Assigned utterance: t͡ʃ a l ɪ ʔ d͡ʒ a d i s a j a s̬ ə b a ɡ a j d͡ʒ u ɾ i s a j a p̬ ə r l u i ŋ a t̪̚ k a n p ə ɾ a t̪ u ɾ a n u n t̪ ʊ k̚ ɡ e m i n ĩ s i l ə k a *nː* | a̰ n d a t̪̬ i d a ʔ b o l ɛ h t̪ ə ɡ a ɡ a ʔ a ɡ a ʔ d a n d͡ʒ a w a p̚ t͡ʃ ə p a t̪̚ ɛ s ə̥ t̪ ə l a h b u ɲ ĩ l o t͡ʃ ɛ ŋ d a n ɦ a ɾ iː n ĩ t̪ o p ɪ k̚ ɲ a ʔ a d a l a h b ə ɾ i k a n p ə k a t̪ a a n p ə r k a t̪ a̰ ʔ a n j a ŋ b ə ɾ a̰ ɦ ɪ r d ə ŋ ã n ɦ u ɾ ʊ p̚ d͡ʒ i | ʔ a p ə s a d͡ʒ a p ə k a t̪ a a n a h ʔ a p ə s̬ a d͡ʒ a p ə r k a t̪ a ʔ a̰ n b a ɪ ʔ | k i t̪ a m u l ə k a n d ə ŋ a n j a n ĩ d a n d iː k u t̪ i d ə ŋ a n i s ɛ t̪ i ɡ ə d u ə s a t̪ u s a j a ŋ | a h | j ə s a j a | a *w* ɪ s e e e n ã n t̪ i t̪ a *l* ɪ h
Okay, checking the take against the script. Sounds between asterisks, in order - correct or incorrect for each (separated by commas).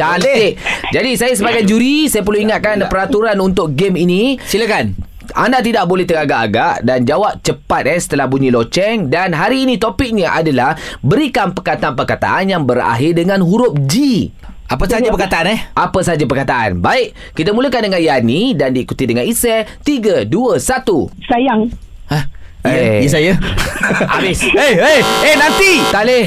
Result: incorrect, incorrect, correct